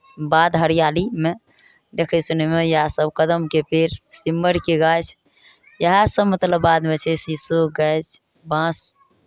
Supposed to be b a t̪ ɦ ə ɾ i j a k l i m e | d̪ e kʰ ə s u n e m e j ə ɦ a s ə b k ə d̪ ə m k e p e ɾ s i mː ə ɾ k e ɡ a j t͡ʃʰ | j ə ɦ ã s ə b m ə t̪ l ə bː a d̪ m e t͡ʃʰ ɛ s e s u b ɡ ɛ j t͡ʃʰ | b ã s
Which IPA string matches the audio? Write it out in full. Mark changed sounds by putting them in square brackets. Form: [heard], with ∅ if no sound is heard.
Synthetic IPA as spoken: b a [d̪] ɦ ə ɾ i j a [∅] l i m e | d̪ e kʰ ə s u n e m e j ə ɦ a s ə b k ə d̪ ə m k e p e ɾ s i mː ə ɾ k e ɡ a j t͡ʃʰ | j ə ɦ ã s ə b m ə t̪ l ə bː a d̪ m e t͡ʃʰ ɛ s [i] s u [∅] ɡ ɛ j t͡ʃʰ | b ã s